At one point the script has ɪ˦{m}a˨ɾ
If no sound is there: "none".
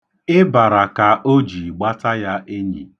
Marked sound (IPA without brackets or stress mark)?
b